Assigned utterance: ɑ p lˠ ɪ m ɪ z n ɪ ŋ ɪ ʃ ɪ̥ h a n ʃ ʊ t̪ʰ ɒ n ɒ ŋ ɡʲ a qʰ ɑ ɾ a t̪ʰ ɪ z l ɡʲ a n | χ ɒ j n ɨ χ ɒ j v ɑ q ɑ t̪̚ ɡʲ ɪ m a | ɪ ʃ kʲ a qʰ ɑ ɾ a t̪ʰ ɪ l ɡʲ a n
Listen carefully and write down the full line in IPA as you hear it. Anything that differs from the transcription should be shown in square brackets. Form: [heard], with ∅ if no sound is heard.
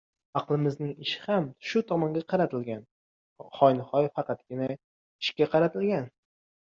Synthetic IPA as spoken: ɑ [q] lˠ ɪ m ɪ z n ɪ ŋ ɪ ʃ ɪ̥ h a [m] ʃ ʊ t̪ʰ ɒ [m] ɒ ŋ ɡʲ a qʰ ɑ ɾ a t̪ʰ ɪ [∅] l ɡʲ a n | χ ɒ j n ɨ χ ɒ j [f] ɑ q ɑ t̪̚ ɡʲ ɪ [n] a | ɪ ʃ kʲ a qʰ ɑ ɾ a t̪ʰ ɪ l ɡʲ a n